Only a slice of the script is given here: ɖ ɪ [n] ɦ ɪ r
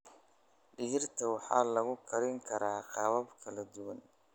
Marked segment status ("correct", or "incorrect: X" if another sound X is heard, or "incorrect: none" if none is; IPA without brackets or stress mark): incorrect: none